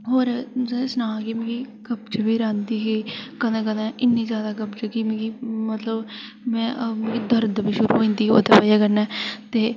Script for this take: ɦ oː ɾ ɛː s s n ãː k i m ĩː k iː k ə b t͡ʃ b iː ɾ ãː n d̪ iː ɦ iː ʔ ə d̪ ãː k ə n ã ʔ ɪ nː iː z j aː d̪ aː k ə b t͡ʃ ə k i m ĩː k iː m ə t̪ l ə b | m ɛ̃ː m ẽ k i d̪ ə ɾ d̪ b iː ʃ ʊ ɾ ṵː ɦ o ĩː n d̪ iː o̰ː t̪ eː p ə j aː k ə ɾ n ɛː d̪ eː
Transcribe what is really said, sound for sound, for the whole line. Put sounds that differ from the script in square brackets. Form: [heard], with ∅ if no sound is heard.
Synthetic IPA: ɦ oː ɾ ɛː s s n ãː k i m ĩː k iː k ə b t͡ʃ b iː ɾ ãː n d̪ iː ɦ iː [k] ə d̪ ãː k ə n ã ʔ ɪ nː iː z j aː d̪ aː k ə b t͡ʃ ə k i m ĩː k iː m ə t̪ l ə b | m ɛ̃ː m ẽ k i d̪ ə ɾ d̪ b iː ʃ ʊ ɾ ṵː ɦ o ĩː n d̪ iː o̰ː t̪ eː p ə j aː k ə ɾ n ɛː [t̪] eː